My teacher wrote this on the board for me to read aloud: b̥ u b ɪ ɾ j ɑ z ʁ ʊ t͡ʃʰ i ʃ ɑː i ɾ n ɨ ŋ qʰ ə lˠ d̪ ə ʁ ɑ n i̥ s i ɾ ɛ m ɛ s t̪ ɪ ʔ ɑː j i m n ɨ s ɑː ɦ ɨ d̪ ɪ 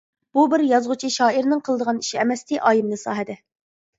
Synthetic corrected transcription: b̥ u b ɪ ɾ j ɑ z ʁ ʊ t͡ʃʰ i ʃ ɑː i ɾ n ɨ ŋ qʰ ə lˠ d̪ ə ʁ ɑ n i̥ ʃ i ɛ m ɛ s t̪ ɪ ʔ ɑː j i m n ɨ s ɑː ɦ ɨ d̪ ɪ